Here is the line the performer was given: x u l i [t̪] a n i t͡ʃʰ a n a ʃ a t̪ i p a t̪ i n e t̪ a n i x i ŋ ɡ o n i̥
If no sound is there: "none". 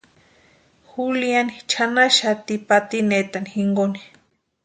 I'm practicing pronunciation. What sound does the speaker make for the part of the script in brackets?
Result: none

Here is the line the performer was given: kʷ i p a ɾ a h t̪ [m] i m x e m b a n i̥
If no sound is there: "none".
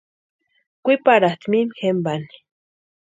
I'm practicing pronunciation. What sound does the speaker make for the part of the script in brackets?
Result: m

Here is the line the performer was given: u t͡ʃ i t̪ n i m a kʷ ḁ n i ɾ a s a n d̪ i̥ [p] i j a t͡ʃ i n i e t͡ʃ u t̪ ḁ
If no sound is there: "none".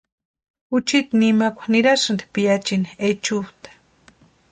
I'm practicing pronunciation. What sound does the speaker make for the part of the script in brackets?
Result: p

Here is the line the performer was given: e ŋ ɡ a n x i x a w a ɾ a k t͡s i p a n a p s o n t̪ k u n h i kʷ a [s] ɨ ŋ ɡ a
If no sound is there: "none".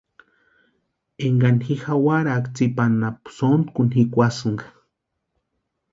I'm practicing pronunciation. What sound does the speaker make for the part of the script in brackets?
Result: s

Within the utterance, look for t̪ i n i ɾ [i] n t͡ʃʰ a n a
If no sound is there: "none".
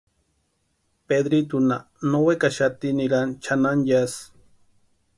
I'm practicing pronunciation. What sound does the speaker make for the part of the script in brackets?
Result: a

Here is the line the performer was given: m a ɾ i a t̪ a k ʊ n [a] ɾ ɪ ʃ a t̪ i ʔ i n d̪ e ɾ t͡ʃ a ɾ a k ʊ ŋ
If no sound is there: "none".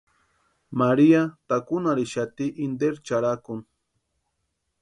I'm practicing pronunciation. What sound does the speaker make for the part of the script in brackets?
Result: a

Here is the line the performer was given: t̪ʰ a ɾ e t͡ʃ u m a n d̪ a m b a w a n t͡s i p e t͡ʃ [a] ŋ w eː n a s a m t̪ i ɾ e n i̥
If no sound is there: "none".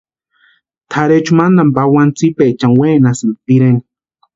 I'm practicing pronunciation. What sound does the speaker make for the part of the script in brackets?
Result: a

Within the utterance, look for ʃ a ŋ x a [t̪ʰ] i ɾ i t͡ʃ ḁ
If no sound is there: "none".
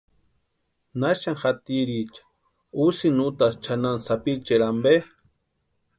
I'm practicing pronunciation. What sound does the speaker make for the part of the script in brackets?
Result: t̪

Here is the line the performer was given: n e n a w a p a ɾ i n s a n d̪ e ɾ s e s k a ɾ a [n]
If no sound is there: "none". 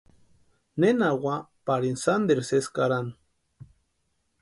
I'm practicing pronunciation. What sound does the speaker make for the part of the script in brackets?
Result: n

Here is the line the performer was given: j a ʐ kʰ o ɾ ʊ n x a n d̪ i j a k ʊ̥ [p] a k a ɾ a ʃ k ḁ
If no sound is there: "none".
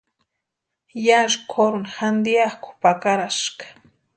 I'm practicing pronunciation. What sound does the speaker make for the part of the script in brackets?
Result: p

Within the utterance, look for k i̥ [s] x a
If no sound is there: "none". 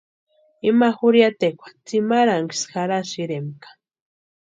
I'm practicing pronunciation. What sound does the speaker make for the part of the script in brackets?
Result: s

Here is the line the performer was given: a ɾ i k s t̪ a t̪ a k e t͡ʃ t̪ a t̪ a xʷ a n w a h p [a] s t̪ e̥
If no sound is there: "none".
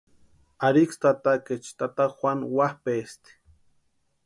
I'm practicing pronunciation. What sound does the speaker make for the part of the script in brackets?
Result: e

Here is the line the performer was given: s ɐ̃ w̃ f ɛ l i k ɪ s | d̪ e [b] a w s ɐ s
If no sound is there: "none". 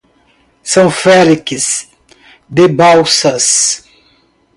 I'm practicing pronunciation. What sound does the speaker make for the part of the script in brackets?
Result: b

